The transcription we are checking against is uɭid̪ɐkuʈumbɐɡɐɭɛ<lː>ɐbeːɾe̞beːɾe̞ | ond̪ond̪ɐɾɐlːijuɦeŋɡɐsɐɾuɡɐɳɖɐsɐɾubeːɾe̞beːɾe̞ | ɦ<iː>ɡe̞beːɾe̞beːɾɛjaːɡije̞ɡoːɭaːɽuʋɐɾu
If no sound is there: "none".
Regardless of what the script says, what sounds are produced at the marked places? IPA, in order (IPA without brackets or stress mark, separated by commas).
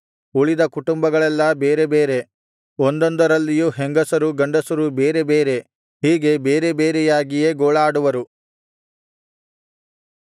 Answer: lː, iː